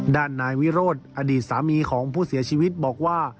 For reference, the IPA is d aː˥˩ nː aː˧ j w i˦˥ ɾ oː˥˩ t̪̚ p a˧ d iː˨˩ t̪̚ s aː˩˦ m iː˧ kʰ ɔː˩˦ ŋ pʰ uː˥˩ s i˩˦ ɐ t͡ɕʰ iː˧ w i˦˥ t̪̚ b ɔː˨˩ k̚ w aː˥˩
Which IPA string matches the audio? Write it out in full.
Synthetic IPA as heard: d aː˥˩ nː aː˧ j w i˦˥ ɾ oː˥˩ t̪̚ ʔ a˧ d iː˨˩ t̪̚ s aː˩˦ m iː˧ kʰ ɔː˩˦ ŋ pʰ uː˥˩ s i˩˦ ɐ t͡ɕʰ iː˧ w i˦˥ t̪̚ b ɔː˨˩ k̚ w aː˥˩